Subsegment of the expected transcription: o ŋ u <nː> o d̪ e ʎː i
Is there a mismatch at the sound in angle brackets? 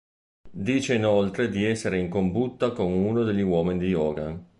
yes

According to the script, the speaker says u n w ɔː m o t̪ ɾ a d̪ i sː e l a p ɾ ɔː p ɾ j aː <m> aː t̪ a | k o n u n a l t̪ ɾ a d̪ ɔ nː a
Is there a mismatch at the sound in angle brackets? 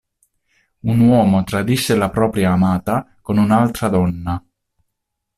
no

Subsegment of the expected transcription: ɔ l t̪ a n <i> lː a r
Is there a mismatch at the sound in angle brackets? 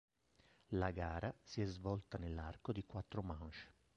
yes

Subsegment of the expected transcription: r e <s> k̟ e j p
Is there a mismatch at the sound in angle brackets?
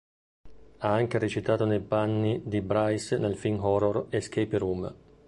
no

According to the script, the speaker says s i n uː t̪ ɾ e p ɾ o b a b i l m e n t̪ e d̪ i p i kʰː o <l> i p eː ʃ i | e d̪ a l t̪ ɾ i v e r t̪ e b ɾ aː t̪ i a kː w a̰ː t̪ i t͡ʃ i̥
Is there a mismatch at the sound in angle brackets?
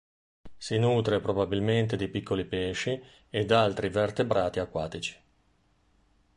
no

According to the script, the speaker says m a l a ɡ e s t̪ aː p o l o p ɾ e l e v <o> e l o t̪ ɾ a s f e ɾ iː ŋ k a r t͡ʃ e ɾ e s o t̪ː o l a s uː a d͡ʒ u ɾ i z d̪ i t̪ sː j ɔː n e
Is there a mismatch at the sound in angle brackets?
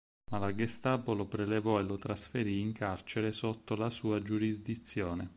yes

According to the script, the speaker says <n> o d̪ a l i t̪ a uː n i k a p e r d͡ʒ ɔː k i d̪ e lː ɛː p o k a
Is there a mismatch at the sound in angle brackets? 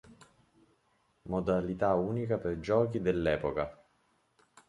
yes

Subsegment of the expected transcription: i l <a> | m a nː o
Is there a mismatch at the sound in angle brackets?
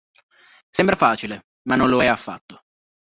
yes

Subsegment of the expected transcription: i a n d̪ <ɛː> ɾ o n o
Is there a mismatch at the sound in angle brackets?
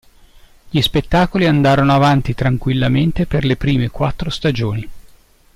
yes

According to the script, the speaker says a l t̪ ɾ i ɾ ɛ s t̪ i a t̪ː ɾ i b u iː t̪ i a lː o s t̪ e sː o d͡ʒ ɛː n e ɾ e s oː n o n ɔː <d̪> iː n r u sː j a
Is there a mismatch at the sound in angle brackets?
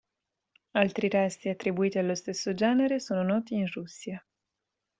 yes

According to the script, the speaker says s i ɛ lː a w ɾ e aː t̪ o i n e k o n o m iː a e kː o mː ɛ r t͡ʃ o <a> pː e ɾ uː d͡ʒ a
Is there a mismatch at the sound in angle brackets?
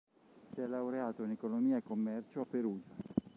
no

